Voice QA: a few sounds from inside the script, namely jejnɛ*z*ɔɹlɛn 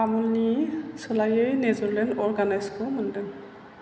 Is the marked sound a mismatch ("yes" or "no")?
no